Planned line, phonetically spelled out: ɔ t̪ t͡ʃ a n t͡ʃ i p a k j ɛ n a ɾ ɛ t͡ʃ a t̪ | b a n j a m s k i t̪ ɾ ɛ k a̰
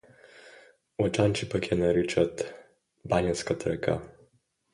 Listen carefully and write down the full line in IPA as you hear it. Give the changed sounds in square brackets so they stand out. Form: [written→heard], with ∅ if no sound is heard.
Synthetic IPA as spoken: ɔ [t̪→∅] t͡ʃ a n t͡ʃ i p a k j ɛ n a ɾ [ɛ→i] t͡ʃ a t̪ | b a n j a [m→n] s k [i→a] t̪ ɾ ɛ k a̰